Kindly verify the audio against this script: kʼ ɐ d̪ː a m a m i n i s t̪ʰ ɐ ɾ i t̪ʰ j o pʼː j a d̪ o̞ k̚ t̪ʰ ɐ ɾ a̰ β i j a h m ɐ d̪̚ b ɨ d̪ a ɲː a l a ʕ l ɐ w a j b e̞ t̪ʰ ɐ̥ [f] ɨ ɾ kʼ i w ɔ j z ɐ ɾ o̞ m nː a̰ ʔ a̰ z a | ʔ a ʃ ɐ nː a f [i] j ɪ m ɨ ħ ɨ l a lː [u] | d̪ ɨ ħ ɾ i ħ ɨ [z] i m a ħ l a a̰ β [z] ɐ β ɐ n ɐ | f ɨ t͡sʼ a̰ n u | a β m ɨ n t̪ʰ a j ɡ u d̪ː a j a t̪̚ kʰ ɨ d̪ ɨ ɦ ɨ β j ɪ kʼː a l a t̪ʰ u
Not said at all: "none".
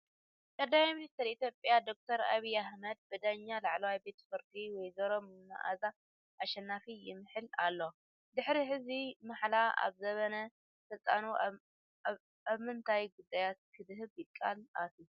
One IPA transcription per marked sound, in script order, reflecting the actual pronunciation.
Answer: f, i, o, z, z

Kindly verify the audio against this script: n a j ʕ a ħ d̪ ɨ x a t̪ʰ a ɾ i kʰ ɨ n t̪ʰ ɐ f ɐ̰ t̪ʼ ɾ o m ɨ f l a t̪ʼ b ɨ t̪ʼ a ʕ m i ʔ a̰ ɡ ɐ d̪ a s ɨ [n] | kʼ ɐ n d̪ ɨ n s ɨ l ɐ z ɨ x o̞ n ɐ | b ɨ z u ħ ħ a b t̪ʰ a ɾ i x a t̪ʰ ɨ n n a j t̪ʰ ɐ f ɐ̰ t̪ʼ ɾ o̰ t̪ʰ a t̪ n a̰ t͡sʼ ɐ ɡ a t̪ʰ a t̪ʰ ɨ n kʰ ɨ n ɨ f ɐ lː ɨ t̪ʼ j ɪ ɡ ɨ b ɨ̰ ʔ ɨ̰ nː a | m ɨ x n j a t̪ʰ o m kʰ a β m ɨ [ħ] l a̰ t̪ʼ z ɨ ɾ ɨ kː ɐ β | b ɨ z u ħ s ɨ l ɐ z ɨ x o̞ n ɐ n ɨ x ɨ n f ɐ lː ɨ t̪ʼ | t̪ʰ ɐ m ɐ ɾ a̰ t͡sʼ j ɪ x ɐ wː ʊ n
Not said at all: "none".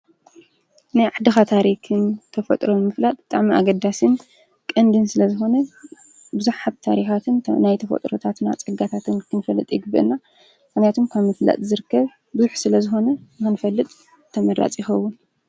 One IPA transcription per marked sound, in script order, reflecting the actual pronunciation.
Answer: n, f

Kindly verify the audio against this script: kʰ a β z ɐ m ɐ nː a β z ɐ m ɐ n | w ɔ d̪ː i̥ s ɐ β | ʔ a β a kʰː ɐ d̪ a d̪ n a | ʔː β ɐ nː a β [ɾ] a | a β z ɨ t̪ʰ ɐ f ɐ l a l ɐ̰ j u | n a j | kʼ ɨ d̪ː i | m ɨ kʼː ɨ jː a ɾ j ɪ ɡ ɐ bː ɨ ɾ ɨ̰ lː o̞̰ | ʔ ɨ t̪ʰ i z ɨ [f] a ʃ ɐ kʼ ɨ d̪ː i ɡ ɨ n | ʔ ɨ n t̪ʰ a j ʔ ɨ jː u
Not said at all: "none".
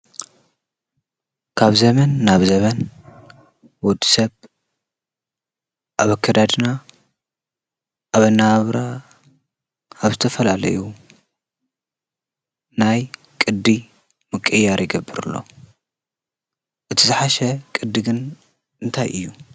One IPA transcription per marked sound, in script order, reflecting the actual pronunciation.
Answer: ɾ, ħ

